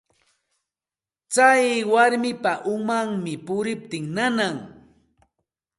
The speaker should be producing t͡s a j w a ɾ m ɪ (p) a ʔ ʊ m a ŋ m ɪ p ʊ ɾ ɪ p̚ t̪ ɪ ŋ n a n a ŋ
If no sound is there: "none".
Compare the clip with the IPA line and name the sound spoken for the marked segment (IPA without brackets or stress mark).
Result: p